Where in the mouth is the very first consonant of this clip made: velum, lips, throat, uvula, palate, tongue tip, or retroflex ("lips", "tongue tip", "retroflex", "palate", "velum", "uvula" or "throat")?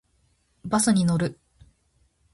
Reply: lips